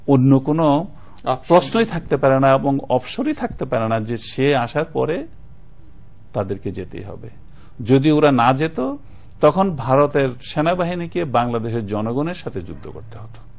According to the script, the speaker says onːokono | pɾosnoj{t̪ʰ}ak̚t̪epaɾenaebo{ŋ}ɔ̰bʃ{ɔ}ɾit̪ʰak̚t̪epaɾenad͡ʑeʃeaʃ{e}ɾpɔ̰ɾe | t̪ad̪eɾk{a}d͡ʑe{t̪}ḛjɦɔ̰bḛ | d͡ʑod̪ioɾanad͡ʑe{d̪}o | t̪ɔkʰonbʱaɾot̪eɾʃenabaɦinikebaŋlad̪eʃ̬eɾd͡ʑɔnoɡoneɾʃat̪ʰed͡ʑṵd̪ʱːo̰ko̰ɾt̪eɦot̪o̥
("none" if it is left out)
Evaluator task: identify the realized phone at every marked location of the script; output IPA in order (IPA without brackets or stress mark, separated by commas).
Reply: t̪ʰ, ŋ, o, a, e, t̪, t̪